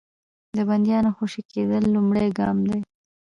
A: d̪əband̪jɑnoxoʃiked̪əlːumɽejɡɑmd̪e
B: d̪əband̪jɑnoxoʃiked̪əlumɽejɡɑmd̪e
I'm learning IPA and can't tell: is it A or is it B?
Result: A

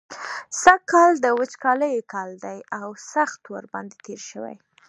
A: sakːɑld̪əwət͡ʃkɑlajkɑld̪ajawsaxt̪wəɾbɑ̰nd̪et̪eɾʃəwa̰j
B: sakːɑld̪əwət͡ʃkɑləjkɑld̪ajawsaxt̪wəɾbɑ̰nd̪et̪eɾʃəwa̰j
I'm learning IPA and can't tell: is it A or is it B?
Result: B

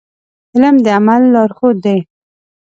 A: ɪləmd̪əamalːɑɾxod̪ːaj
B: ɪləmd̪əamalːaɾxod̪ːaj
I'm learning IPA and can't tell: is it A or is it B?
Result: A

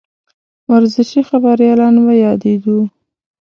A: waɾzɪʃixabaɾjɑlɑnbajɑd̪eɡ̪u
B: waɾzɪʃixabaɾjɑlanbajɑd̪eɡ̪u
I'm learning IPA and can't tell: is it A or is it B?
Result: A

